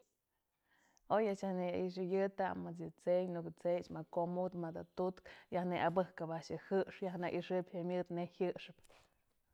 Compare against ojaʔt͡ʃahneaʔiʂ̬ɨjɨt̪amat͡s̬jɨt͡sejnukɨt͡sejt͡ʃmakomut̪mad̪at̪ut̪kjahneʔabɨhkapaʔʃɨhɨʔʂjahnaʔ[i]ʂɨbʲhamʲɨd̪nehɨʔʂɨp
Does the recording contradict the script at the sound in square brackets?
no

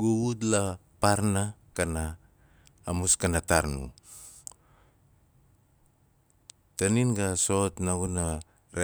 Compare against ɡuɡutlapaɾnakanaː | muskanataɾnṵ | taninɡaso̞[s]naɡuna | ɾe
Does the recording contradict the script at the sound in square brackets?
yes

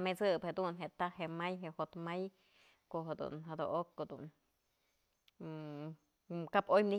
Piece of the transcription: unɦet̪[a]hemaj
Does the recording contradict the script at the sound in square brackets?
no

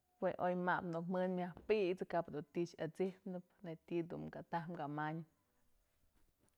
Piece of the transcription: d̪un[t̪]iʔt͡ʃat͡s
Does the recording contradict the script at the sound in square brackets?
no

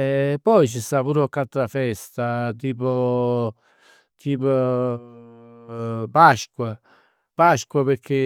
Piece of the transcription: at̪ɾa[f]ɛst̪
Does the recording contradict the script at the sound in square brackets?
no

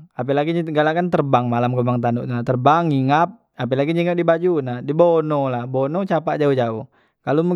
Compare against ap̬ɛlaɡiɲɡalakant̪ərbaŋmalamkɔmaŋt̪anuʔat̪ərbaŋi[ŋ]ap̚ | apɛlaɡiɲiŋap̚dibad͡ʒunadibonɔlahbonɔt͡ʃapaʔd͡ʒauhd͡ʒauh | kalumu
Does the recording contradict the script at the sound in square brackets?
no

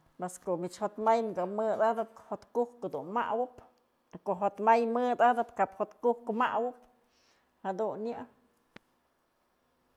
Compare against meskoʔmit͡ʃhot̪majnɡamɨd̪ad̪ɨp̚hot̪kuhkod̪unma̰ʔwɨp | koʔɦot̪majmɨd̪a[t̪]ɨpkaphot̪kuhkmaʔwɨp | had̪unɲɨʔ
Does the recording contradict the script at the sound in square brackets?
yes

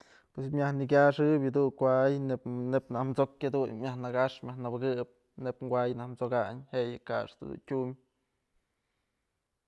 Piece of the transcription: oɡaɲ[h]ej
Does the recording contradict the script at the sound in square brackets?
no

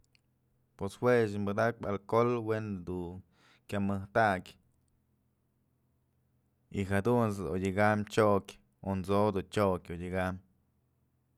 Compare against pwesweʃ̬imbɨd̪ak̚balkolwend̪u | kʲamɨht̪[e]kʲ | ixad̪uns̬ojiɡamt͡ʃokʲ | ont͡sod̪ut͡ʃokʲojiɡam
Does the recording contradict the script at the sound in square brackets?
yes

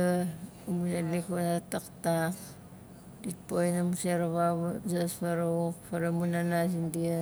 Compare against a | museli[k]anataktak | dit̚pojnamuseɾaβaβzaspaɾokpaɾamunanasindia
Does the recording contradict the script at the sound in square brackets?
no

